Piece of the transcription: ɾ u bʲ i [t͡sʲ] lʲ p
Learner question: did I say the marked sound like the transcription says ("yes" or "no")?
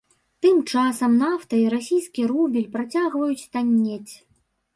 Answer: no